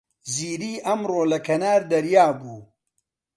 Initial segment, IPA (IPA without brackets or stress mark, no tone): z